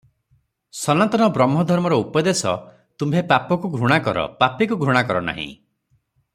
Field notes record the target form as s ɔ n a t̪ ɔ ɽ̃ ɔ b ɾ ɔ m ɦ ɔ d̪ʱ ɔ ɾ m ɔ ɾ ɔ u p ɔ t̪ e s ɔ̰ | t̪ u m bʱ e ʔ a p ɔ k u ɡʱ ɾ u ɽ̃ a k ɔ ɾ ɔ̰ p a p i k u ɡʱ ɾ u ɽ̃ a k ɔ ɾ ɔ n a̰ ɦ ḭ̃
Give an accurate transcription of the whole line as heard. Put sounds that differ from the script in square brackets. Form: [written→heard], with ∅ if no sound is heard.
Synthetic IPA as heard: s ɔ n a t̪ ɔ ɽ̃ ɔ b ɾ ɔ m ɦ ɔ d̪ʱ ɔ ɾ m ɔ ɾ ɔ u p ɔ [t̪→d̪] e s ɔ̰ | t̪ u m bʱ e [ʔ→p] a p ɔ k u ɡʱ ɾ u ɽ̃ a k ɔ ɾ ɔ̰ p a p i k u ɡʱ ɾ u ɽ̃ a k ɔ ɾ ɔ n a̰ ɦ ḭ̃

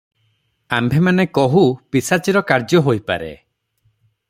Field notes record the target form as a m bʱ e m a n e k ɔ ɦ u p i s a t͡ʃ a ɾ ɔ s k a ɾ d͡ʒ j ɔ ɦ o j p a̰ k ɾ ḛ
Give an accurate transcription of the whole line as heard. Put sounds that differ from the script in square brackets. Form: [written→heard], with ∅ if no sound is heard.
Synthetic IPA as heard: a m bʱ e m a n e k ɔ ɦ u p i s a t͡ʃ [a→i] ɾ ɔ [s→∅] k a ɾ d͡ʒ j ɔ ɦ o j p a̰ [k→∅] ɾ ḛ

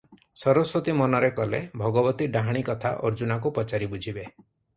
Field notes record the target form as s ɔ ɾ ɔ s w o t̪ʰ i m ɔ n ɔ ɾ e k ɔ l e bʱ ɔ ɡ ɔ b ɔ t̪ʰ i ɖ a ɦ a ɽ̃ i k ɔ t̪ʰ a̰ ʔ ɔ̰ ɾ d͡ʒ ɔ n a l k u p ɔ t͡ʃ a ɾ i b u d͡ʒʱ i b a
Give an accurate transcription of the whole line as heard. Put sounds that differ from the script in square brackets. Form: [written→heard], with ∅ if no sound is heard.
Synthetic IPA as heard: s ɔ ɾ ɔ s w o [t̪ʰ→t̪] i m ɔ n ɔ ɾ e k ɔ l e bʱ ɔ ɡ ɔ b ɔ [t̪ʰ→t̪] i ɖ a ɦ a ɽ̃ i k ɔ t̪ʰ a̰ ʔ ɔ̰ ɾ d͡ʒ [ɔ→u] n a [l→∅] k u p ɔ t͡ʃ a ɾ i b u d͡ʒʱ i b [a→e]

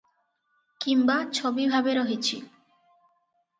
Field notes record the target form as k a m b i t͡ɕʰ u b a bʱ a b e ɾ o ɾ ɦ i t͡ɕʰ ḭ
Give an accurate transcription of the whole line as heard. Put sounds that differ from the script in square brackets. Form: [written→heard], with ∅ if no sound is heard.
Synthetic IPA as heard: k [a→i] m b [i→a] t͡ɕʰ [u→o] b [a→i] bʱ a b e ɾ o [ɾ→∅] ɦ i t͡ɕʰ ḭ

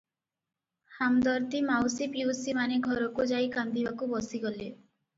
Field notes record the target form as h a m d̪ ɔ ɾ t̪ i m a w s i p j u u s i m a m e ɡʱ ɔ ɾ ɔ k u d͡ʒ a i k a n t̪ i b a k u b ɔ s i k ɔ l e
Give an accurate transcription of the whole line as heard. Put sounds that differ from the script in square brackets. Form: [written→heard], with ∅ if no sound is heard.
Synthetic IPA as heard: h a m d̪ ɔ ɾ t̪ i m a w s i p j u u s i m a [m→n] e ɡʱ ɔ ɾ ɔ k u d͡ʒ a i k a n [t̪→d̪] i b a k u b ɔ s i [k→ɡ] ɔ l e

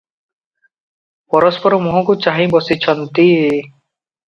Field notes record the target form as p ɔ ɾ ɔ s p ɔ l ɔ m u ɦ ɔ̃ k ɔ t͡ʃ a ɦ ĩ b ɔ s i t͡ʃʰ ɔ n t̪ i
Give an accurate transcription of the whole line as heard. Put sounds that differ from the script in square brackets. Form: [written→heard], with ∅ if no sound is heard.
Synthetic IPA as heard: p ɔ ɾ ɔ s p ɔ [l→ɾ] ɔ m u ɦ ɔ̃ k [ɔ→u] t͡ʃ a ɦ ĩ b ɔ s i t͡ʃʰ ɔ n t̪ i

